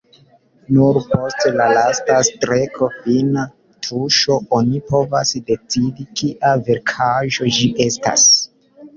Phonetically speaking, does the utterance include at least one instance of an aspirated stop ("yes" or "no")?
yes